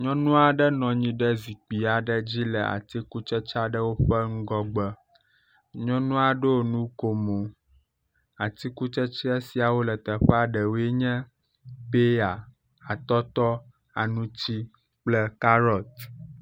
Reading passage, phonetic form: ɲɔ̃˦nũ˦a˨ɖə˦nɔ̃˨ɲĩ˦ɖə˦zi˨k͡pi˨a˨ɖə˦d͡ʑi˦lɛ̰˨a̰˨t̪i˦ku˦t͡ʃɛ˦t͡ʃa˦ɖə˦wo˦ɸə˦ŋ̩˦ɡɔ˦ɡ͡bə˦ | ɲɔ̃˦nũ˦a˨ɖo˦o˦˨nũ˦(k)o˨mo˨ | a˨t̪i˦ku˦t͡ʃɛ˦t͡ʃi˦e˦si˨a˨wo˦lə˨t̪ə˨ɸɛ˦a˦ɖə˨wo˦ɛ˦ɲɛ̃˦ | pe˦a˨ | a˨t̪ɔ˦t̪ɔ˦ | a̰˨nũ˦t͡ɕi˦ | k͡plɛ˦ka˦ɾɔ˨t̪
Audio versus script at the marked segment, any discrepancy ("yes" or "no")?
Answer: no